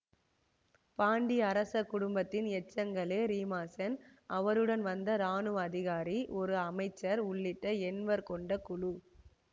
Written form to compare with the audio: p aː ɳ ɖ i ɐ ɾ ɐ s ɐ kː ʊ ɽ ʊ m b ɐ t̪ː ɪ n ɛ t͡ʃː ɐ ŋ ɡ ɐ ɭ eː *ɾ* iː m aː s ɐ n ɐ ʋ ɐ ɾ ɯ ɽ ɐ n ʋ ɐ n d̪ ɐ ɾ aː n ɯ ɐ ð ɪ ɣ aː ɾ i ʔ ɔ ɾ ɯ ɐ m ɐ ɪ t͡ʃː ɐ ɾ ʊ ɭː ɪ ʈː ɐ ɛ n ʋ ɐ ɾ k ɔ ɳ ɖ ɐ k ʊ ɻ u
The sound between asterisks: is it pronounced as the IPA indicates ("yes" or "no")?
yes